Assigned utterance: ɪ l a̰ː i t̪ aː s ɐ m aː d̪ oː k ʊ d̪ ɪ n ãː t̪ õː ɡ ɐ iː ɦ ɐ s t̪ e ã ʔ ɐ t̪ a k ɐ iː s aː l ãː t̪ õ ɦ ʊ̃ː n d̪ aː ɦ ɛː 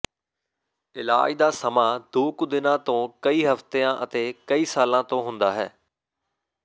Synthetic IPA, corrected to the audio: ɪ l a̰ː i d̪ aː s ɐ m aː d̪ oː k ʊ d̪ ɪ n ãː t̪ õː k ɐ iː ɦ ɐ f t̪ e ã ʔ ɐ t̪ e k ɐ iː s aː l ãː t̪ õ ɦ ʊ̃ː n d̪ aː ɦ ɛː